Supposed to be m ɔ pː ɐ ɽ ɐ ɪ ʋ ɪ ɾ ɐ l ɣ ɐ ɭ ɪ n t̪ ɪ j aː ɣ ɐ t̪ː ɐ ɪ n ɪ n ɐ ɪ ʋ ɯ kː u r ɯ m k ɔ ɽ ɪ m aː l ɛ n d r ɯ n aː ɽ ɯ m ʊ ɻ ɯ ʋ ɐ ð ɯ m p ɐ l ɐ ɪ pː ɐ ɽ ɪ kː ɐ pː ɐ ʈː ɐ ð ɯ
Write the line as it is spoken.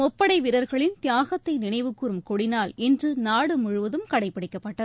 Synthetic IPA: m ɔ pː ɐ ɽ ɐ ɪ ʋ ɪ ɾ ɐ ɾ ɣ ɐ ɭ ɪ n t̪ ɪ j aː ɣ ɐ t̪ː ɐ ɪ n ɪ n ɐ ɪ ʋ ɯ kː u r ɯ m k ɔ ɽ ɪ n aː l ɛ n d r ɯ n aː ɽ ɯ m ʊ ɻ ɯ ʋ ɐ ð ɯ m k ɐ ɽ ɐ ɪ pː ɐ ɽ ɪ kː ɐ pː ɐ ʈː ɐ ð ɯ